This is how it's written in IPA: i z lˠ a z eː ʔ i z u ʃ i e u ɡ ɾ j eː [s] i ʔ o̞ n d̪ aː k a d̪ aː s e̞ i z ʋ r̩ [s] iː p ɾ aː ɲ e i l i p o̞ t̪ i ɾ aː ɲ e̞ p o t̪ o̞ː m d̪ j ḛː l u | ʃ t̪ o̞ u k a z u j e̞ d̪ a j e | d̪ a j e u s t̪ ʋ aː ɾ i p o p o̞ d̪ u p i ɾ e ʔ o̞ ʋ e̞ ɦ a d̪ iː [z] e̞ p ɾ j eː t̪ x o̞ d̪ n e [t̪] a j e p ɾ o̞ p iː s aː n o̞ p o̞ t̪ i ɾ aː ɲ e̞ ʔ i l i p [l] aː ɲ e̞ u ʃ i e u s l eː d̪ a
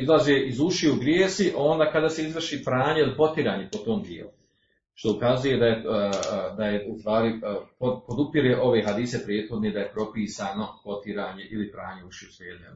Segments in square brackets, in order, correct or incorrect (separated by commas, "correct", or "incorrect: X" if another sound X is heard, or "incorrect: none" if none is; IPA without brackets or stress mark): correct, incorrect: ʃ, incorrect: s, incorrect: d̪, incorrect: ɾ